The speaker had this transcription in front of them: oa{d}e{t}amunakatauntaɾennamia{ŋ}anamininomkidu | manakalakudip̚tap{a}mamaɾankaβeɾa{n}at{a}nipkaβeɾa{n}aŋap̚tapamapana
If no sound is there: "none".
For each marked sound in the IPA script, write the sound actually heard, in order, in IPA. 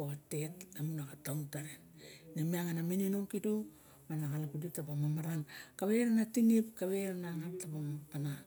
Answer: t, t, ŋ, a, n, i, n

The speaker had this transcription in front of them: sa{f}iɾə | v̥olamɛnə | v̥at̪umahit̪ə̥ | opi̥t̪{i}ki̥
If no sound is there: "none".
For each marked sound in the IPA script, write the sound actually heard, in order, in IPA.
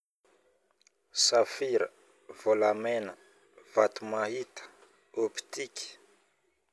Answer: f, i

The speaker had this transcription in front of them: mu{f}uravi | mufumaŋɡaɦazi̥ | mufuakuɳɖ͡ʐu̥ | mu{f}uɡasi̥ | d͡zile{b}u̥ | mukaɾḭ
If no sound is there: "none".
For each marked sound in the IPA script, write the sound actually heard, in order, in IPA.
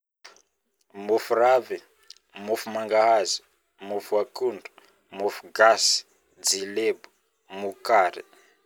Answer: f, f, b

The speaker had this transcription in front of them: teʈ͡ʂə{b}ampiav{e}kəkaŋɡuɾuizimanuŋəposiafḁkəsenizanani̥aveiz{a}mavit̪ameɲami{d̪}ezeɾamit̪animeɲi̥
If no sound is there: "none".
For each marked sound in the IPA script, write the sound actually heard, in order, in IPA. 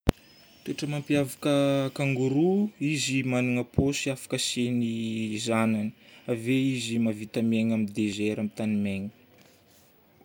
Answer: m, a, i, d̪

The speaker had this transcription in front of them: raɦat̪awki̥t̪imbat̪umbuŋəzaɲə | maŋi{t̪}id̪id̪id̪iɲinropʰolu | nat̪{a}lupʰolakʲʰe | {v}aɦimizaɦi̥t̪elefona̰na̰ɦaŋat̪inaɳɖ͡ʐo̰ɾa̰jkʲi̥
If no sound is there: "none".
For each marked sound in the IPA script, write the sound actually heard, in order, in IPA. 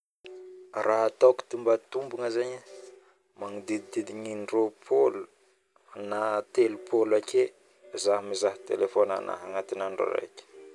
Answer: d̪, e, z

